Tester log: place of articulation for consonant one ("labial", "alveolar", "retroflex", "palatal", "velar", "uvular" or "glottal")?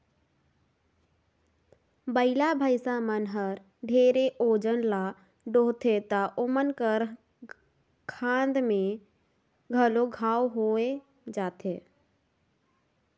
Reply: labial